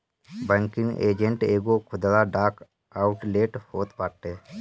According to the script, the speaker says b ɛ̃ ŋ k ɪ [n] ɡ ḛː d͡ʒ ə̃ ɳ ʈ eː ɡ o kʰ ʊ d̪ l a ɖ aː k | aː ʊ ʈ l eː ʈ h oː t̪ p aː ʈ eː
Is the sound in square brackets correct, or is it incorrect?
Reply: incorrect